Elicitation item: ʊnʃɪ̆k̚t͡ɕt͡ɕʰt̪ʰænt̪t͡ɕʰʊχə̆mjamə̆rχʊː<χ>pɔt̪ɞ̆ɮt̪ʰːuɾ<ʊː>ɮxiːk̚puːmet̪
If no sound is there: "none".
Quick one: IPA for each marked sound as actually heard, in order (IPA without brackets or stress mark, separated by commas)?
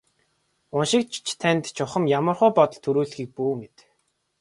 none, uː